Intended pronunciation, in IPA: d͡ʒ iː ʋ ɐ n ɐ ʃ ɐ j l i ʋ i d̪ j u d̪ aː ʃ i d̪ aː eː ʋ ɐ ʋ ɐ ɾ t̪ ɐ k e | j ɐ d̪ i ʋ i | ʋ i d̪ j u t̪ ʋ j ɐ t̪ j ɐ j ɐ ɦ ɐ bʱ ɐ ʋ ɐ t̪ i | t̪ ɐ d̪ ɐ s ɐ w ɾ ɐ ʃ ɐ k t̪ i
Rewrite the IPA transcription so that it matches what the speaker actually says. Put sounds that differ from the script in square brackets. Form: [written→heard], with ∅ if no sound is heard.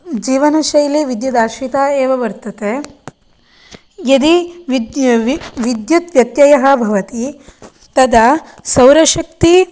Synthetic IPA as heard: d͡ʒ iː ʋ ɐ n ɐ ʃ ɐ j l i ʋ i d̪ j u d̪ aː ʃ i [d̪→t̪] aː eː ʋ ɐ ʋ ɐ ɾ t̪ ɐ k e | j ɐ d̪ i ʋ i | ʋ i d̪ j u t̪ ʋ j ɐ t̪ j ɐ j ɐ ɦ ɐ bʱ ɐ ʋ ɐ t̪ i | t̪ ɐ d̪ ɐ s ɐ w ɾ ɐ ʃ ɐ k t̪ i